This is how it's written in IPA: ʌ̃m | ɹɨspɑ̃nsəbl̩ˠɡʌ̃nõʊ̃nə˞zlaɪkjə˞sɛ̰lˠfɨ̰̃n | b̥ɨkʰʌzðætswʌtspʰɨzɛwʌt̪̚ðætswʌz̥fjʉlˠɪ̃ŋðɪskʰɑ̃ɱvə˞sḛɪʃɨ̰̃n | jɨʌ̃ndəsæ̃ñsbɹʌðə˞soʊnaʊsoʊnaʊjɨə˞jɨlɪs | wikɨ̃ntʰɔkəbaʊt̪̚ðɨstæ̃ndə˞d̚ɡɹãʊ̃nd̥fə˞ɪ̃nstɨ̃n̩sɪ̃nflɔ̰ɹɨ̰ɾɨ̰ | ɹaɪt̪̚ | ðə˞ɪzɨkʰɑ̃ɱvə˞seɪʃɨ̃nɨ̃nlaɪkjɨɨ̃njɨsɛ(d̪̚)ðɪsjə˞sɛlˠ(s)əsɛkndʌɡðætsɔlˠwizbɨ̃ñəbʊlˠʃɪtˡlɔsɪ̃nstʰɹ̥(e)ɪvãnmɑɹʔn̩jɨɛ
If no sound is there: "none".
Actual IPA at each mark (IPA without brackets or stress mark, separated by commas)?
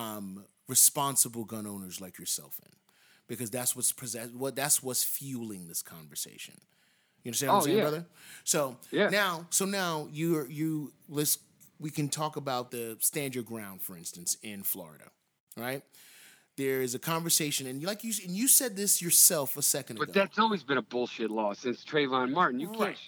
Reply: d̪̚, f, e